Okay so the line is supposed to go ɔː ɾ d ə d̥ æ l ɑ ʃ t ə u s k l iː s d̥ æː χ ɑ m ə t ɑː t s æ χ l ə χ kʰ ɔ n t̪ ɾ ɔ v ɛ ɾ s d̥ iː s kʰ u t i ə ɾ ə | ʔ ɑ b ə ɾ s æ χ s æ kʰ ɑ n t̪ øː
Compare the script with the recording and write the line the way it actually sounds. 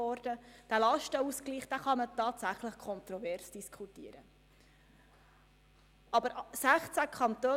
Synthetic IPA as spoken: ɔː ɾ d ə d̥ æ l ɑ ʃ t ə u s k l iː χ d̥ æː χ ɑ m ə t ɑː t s æ χ l ə χ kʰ ɔ n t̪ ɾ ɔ v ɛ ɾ s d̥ i s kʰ u t i ə ɾ ə | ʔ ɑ b ə ɾ s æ χ t͡s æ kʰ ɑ n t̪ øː